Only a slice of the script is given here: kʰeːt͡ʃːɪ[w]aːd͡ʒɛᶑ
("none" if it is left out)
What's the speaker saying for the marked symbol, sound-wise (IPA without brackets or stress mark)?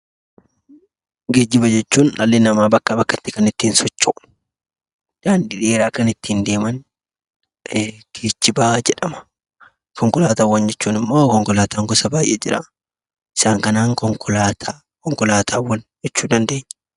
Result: b